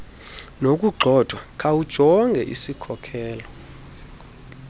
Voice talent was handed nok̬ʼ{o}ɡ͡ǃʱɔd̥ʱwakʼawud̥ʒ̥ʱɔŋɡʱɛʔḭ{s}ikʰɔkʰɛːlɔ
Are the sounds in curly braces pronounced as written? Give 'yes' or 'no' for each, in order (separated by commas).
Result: no, yes